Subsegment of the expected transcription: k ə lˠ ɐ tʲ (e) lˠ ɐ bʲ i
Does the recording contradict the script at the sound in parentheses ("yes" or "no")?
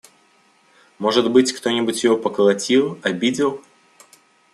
yes